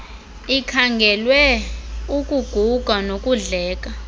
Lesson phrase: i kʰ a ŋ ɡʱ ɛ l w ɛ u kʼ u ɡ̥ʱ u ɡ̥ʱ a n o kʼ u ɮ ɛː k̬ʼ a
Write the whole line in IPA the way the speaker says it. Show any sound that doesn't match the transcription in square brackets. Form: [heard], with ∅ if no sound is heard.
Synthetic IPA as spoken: i kʰ a ŋ ɡʱ ɛ l w ɛ u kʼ u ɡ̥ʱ u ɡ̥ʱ a n o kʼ u ɮ ɛː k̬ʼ a